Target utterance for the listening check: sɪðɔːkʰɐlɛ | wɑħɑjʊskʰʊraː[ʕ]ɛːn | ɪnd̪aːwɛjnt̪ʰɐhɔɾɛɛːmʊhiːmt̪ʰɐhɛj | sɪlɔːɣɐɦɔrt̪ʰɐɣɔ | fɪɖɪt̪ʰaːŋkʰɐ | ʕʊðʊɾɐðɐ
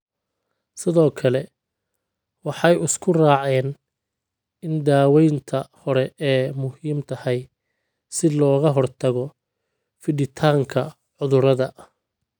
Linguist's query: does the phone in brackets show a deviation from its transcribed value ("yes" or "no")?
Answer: no